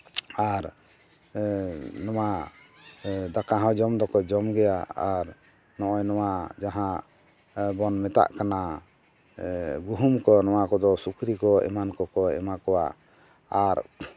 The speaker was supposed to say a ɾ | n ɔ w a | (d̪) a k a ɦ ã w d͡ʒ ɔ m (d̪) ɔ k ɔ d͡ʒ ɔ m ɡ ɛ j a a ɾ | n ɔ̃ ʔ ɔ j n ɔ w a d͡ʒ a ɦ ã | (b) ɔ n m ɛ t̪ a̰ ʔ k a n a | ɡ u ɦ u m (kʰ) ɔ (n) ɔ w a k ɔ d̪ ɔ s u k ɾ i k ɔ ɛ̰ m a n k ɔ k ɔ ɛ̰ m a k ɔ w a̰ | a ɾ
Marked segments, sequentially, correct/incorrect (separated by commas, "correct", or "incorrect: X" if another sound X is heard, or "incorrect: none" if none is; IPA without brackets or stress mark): correct, correct, correct, incorrect: k, correct